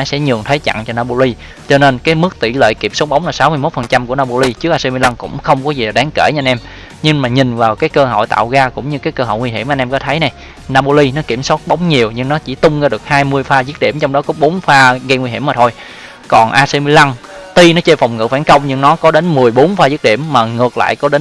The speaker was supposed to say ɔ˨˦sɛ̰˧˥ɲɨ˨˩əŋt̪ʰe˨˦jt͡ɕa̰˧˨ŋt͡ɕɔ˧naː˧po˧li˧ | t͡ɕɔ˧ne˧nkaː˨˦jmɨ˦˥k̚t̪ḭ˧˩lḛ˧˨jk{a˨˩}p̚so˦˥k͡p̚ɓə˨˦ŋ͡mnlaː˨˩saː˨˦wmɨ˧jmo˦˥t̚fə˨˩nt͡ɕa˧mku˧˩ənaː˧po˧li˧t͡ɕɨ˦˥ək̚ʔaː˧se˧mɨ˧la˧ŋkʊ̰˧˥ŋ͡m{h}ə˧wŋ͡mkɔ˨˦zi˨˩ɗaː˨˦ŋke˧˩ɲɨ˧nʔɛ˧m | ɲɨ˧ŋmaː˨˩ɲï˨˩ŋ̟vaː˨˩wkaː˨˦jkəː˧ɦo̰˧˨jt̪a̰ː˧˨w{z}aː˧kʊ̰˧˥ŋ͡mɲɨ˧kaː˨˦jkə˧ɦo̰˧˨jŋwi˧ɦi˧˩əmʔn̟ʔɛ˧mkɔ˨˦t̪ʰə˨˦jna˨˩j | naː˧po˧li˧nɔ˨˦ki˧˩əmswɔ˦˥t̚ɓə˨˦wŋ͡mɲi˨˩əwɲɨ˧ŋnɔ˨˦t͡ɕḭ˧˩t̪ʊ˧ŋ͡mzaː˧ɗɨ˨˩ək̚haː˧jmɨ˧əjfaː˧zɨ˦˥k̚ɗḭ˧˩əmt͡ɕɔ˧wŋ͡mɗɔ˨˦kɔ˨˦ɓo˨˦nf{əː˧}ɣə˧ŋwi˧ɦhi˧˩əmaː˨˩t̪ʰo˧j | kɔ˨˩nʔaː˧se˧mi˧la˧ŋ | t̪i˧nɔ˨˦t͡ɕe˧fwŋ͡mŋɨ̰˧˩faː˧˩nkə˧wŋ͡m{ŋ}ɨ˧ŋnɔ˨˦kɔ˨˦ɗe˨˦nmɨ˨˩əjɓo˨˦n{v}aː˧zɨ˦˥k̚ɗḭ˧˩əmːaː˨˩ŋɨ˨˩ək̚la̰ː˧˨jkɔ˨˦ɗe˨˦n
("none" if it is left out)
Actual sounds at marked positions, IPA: i˨˩, x, ɣ, aː˧, ɲ, f

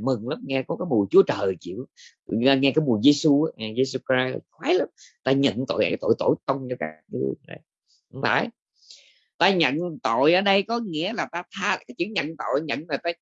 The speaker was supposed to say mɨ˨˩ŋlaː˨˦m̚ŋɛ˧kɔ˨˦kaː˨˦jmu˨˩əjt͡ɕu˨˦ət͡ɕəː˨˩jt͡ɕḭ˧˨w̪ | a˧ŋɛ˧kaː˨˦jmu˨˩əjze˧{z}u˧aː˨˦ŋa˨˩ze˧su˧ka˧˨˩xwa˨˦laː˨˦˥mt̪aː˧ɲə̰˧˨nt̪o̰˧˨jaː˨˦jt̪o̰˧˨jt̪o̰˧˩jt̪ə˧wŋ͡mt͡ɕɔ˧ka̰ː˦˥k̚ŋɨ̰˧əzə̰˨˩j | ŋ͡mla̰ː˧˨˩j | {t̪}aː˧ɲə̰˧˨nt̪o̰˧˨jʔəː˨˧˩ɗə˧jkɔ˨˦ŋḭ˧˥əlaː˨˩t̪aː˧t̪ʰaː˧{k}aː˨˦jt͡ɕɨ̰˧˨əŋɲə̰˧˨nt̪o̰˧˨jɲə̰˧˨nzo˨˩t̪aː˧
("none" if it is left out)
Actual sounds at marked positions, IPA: s, t̪, k

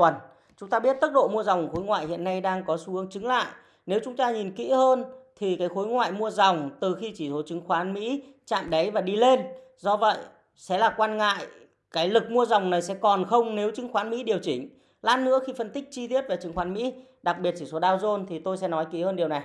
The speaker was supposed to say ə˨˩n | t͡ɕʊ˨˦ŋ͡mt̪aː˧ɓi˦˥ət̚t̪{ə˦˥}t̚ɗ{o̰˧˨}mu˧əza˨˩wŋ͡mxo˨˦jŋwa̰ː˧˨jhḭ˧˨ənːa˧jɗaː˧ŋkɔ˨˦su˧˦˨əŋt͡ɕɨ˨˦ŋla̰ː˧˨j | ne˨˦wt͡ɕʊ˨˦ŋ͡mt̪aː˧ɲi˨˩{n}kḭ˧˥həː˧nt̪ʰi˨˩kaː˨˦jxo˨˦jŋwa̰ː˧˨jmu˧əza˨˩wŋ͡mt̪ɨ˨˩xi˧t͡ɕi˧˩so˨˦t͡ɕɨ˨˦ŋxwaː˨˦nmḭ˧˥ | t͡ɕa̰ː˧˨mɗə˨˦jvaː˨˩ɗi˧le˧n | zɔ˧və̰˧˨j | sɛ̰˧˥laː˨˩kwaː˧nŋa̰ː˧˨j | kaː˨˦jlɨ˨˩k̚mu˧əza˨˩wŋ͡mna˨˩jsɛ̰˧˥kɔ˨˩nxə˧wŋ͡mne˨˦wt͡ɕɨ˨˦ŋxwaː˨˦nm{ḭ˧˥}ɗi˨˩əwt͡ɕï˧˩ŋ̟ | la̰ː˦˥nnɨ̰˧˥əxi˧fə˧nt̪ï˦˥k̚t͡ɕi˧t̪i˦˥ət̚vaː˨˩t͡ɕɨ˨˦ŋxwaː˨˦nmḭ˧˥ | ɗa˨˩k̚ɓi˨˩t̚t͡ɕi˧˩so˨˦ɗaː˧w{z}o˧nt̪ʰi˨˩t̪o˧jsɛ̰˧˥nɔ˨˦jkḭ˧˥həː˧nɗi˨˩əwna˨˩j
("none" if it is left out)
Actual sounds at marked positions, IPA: ə˦˥, o̰˧˨, n, ḭ˧˥, z

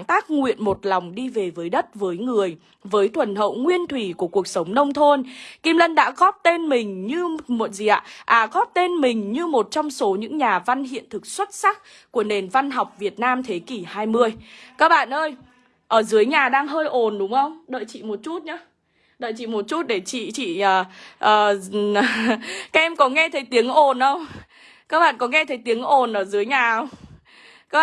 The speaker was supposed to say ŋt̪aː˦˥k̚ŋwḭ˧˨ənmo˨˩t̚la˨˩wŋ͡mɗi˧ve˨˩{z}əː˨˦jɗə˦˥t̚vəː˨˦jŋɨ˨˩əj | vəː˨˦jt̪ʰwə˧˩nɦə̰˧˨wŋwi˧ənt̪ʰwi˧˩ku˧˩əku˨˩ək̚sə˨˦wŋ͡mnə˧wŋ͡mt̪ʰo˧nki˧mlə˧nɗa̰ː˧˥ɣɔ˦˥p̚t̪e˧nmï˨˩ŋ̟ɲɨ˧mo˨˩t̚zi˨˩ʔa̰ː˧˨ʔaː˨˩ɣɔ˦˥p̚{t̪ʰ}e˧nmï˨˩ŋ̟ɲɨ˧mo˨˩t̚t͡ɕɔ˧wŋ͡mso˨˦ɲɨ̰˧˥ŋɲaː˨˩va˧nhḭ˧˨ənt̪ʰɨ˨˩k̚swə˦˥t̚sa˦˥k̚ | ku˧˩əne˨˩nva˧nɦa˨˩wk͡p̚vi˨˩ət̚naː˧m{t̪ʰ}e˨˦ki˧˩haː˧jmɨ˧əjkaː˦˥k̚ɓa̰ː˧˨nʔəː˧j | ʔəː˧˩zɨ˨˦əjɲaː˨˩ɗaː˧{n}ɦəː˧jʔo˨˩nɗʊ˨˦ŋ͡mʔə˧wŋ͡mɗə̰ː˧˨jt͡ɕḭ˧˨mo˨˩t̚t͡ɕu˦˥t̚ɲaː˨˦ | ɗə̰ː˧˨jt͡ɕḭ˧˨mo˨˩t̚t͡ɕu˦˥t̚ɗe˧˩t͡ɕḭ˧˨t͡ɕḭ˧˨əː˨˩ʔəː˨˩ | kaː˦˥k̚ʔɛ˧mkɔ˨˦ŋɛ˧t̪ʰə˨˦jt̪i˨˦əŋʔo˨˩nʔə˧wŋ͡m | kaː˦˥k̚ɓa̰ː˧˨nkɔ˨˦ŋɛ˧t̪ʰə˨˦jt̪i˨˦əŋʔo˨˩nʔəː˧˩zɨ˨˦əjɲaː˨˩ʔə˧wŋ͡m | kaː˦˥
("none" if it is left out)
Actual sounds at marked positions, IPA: v, t̪, t̪ʰ, ŋ

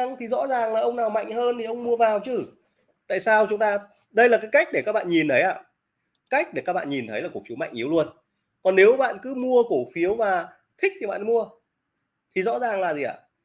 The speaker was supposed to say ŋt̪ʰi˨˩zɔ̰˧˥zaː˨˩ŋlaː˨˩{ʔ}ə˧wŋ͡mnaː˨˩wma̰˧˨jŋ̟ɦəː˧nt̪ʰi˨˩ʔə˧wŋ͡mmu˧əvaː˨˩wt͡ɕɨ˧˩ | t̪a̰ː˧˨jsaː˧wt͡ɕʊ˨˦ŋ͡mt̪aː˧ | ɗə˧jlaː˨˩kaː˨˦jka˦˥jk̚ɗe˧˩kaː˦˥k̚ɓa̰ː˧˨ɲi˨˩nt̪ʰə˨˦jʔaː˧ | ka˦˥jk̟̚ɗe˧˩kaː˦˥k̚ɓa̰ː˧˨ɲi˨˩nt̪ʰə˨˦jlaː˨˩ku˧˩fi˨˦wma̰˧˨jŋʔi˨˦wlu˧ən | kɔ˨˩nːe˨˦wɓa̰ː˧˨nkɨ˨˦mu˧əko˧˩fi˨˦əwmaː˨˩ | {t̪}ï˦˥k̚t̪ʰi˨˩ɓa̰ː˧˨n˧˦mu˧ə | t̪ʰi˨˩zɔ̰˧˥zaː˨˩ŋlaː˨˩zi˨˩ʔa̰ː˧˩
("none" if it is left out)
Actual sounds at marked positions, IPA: ʔ, t̪ʰ

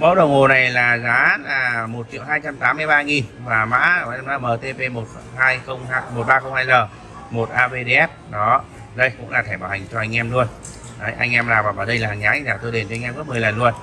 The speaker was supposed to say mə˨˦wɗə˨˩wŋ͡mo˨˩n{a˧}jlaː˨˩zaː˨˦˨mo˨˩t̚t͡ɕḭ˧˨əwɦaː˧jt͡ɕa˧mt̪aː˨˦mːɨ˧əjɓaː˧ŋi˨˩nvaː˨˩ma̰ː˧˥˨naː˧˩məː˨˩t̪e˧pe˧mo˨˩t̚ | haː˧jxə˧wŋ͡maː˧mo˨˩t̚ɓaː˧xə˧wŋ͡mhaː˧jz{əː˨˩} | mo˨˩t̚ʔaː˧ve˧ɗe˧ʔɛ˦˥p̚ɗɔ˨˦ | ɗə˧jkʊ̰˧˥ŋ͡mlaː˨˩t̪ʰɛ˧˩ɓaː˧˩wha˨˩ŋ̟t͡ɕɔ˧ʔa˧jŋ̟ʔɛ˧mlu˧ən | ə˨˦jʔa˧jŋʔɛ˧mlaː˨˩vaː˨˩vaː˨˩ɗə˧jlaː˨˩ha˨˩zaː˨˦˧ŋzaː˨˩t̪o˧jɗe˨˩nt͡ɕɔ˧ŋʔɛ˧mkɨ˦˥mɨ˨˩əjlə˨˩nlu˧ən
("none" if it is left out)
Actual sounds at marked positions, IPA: a˨˩, əː˨˩

